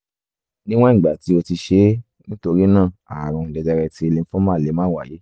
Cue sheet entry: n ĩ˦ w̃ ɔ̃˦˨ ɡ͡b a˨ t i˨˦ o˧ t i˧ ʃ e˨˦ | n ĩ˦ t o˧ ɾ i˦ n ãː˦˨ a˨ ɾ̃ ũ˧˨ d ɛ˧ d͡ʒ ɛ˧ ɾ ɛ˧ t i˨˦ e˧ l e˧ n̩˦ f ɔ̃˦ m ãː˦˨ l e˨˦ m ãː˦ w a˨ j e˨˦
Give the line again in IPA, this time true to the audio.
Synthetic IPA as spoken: n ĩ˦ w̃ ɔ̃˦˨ ɡ͡b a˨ t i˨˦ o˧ t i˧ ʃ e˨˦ | n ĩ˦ t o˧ ɾ i˦ n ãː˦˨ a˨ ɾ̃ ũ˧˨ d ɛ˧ d͡ʒ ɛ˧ ɾ ɛ˧ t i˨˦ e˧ l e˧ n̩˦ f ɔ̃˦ m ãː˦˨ l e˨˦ m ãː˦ w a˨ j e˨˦